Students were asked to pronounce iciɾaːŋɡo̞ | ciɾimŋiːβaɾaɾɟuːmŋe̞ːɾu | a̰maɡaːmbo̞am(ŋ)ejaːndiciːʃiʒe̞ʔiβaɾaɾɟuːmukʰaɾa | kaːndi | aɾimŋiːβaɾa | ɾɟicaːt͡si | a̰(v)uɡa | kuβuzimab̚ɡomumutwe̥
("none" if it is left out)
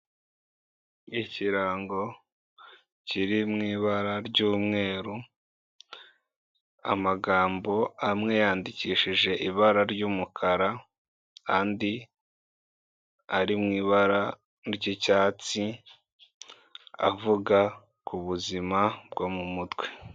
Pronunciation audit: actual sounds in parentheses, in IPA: ŋ, v

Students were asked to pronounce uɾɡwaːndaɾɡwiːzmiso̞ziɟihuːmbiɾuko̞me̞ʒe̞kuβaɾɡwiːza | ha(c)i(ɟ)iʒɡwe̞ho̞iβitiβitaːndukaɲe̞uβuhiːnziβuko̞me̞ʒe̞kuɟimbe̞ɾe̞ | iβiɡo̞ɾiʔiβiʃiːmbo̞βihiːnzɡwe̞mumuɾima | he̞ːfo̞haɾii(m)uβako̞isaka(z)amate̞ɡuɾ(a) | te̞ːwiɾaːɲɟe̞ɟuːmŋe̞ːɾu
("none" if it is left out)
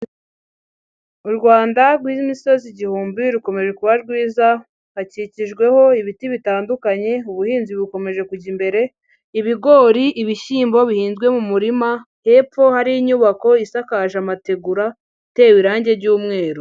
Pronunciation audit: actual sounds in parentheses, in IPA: c, c, ɲ, ʒ, a

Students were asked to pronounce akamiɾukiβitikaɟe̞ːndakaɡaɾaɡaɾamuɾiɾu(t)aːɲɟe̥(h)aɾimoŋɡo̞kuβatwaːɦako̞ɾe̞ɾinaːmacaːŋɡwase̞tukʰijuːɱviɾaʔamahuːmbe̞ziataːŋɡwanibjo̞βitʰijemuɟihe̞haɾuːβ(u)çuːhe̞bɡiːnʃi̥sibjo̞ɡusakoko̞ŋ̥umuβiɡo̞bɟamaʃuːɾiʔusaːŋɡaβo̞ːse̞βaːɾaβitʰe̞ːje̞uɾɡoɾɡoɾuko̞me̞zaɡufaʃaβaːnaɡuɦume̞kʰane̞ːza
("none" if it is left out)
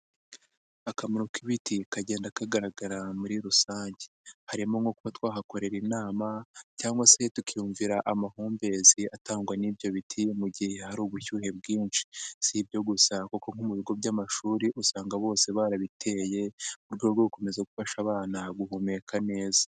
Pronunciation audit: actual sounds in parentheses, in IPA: s, h, u

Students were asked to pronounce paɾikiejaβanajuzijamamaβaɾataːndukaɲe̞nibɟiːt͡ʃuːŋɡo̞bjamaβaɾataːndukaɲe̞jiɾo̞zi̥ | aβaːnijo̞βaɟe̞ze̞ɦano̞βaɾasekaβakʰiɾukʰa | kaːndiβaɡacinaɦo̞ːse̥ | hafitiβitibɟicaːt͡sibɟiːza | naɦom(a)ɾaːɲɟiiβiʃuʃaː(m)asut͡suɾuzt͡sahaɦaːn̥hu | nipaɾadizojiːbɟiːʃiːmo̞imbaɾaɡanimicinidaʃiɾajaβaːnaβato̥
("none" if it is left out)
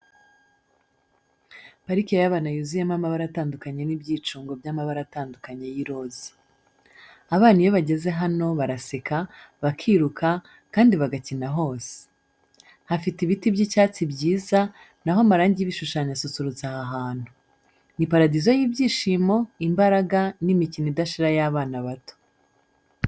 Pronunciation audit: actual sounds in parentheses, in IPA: a, ɲ

